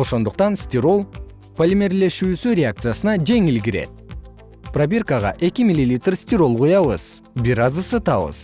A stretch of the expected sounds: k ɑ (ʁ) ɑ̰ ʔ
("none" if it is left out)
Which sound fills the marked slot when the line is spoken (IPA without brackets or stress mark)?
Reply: ʁ